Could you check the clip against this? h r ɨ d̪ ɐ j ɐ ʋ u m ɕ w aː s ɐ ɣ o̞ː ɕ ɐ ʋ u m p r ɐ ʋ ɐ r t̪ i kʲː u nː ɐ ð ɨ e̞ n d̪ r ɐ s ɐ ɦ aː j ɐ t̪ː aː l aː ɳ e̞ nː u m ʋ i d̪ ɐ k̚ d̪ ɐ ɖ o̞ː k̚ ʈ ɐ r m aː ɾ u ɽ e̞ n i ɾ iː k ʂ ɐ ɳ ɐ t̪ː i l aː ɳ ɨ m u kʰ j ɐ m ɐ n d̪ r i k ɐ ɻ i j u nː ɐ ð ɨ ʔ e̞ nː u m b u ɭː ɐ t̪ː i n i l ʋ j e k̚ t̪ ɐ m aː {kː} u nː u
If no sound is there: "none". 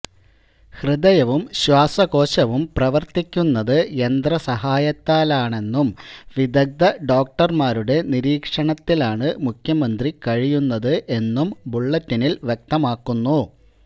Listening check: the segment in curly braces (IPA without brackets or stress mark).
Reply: kː